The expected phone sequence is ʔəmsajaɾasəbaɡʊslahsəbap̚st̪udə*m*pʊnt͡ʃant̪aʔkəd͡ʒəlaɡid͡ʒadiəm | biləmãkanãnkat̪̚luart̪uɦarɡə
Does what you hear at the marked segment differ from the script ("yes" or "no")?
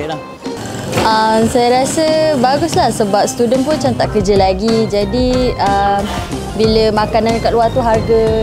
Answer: yes